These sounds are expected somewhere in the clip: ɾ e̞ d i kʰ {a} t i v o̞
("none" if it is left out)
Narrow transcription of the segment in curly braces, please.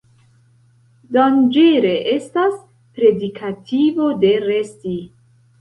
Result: a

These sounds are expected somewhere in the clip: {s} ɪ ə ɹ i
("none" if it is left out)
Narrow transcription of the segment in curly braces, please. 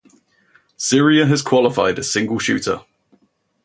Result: s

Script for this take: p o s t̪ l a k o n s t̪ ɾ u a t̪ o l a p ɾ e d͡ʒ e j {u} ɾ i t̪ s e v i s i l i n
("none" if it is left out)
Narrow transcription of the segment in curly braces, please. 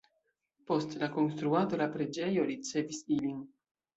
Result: o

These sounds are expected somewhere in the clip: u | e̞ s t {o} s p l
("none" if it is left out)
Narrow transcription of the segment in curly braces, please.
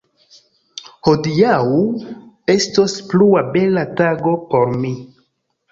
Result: o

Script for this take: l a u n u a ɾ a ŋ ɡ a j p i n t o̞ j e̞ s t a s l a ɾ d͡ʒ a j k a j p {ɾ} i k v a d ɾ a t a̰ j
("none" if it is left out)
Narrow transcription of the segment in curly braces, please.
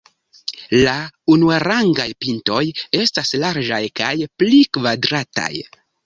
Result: l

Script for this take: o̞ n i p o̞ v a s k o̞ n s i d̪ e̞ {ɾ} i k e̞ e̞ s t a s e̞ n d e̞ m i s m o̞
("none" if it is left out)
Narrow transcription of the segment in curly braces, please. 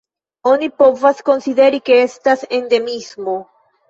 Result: ɾ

